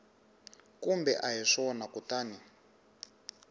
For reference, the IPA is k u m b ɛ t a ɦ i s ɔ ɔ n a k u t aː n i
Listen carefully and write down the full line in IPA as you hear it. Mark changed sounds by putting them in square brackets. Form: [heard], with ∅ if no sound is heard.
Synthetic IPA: k u m b ɛ [ʔ] a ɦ i [ʂ] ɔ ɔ n a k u t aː n i